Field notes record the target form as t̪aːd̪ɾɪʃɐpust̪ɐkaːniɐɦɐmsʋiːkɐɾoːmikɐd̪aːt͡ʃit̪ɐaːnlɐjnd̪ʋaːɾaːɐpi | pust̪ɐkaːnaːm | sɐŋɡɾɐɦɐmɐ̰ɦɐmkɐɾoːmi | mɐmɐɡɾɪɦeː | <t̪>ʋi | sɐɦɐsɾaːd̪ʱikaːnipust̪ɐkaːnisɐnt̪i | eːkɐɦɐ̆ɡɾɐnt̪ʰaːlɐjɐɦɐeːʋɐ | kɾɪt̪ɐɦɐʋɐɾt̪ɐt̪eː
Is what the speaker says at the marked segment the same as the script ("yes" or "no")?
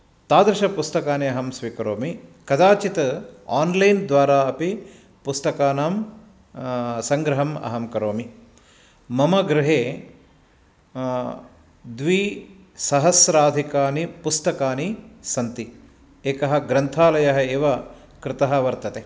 no